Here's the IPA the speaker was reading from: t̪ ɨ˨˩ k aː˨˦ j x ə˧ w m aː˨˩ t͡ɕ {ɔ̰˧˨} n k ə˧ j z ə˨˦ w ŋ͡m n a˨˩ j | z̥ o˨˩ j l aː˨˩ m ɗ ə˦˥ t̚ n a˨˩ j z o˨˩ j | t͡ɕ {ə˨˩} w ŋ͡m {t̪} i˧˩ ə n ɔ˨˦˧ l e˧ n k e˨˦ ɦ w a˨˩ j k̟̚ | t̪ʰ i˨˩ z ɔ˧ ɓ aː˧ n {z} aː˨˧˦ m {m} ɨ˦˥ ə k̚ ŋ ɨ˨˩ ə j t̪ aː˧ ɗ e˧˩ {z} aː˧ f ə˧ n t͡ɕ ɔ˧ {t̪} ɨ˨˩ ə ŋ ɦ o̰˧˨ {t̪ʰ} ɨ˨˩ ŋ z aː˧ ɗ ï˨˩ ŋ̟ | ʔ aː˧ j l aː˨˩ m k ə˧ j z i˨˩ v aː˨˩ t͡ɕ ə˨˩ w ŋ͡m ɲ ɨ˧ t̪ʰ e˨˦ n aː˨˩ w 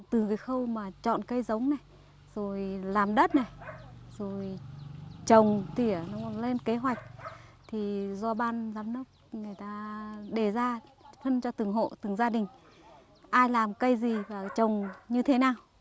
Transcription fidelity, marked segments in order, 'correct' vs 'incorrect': correct, correct, correct, correct, incorrect: n, correct, correct, incorrect: t̪

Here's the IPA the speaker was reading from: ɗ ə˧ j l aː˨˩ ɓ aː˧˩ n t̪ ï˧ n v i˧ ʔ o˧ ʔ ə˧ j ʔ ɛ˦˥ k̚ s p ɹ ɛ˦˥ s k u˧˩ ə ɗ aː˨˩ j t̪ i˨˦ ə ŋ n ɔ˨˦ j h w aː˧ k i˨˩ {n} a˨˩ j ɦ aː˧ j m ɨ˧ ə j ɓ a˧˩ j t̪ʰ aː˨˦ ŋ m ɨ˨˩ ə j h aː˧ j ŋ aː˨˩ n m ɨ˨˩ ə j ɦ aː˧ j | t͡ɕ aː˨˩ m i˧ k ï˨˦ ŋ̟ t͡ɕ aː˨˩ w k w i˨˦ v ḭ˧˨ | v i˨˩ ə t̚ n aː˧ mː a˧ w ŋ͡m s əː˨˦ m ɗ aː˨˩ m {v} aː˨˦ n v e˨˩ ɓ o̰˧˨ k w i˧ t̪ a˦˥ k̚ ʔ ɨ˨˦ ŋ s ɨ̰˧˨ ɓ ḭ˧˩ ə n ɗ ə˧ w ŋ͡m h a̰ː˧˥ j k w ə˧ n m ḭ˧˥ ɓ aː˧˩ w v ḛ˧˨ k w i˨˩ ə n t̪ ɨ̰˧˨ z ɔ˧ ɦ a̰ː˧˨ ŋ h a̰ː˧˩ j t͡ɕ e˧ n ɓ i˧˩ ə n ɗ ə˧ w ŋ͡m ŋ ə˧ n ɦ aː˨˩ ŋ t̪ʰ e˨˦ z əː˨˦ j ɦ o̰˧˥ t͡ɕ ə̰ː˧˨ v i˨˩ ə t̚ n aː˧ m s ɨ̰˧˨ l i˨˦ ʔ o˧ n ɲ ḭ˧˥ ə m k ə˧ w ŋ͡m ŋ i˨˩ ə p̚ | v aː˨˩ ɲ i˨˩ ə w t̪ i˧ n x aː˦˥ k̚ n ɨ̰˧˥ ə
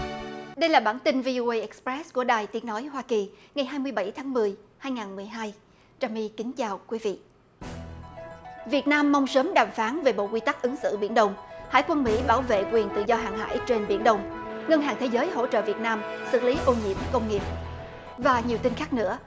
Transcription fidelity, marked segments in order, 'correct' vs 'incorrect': incorrect: ŋ, incorrect: f

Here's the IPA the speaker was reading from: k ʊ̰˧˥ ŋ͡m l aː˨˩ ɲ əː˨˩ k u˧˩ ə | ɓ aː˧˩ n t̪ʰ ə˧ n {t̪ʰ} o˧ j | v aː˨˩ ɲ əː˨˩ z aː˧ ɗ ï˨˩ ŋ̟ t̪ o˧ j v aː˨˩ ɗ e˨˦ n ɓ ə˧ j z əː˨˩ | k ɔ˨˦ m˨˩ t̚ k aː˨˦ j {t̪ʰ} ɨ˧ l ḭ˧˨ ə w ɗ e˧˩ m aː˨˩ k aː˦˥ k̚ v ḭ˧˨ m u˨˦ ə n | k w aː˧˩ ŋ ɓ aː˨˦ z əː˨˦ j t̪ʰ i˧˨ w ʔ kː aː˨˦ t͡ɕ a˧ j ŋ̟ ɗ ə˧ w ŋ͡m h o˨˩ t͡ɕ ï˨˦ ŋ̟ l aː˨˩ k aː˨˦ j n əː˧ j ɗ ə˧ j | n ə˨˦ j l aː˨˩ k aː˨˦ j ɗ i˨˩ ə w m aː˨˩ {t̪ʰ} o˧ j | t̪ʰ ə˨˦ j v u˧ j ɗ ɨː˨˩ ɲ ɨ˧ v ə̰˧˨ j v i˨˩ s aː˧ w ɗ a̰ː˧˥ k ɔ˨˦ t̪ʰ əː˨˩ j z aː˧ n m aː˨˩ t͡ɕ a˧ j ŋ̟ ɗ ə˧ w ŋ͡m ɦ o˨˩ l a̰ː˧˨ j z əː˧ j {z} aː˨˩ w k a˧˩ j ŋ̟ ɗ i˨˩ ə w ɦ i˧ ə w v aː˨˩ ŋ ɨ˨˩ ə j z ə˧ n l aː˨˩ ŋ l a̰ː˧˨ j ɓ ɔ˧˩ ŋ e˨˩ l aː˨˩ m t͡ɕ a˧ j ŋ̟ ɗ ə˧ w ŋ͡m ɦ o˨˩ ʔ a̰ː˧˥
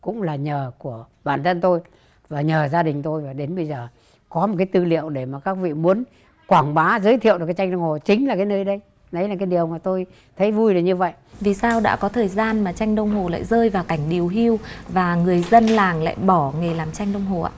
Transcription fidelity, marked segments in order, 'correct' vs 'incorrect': incorrect: t̪, incorrect: t̪, incorrect: t̪, incorrect: v

